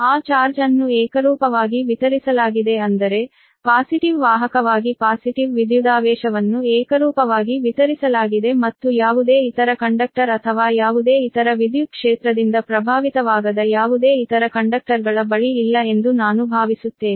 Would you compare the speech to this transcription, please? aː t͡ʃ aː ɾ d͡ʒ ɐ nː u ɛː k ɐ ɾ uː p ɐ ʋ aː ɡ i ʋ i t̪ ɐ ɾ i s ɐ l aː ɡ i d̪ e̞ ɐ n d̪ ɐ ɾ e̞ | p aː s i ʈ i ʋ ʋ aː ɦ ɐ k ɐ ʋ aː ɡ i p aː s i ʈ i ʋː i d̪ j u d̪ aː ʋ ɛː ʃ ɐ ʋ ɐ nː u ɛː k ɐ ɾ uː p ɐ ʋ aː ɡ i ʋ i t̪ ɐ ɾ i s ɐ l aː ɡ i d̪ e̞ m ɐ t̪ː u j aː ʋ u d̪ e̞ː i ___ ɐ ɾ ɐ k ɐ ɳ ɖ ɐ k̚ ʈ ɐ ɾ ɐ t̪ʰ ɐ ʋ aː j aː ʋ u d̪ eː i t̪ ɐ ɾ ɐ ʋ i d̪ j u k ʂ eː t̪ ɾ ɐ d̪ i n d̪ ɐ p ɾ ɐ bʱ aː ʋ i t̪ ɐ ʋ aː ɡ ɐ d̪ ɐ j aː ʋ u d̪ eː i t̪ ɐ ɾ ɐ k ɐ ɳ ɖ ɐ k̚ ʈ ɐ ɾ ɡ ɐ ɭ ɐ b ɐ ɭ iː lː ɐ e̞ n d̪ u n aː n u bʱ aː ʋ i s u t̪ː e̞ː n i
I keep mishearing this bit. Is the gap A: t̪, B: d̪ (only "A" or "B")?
A